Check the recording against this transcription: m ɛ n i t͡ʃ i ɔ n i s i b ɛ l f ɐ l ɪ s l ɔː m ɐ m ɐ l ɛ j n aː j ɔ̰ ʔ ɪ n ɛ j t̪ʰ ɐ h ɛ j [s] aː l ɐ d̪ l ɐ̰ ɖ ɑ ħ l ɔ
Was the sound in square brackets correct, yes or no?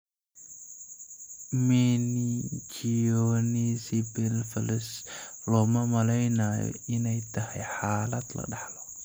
no